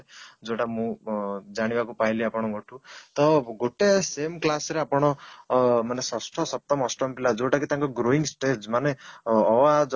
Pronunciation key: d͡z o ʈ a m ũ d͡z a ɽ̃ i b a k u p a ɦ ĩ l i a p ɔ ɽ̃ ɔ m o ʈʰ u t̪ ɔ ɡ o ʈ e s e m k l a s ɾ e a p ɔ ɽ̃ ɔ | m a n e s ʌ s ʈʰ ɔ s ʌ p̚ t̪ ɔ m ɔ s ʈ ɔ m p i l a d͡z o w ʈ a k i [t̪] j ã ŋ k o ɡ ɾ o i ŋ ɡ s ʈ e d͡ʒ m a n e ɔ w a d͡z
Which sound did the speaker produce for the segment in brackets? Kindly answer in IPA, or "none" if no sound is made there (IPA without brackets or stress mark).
t̪